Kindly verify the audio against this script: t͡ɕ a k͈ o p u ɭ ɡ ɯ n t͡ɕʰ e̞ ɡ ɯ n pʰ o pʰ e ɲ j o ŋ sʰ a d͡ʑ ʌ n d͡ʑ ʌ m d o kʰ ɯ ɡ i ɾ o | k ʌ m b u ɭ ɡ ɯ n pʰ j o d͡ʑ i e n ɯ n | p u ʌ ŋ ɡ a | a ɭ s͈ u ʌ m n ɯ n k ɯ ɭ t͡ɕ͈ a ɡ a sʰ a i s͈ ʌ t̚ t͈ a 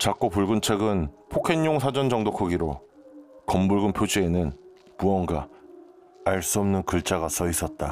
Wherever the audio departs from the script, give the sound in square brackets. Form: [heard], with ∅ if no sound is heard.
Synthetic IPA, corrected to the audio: t͡ɕ a k͈ o p u ɭ ɡ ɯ n t͡ɕʰ e̞ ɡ ɯ n pʰ o [kʰ] e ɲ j o ŋ sʰ a d͡ʑ ʌ n d͡ʑ ʌ [ŋ] d o kʰ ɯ ɡ i ɾ o | k ʌ m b u ɭ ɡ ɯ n pʰ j o d͡ʑ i e n ɯ n | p u ʌ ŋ ɡ a | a ɭ s͈ u ʌ m n ɯ n k ɯ ɭ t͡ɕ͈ a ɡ a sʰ [ʌ] i s͈ ʌ t̚ t͈ a